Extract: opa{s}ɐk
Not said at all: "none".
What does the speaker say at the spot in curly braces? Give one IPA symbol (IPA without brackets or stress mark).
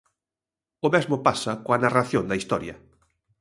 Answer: s